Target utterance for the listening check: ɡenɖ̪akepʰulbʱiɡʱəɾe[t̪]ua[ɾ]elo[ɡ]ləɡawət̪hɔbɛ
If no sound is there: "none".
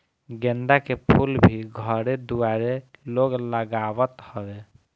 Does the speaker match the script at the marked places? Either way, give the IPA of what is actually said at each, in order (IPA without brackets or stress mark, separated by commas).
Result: d̪, ɾ, ɡ